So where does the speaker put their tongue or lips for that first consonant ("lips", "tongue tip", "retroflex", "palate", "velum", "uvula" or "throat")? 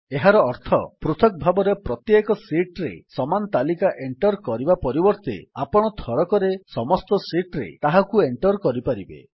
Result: throat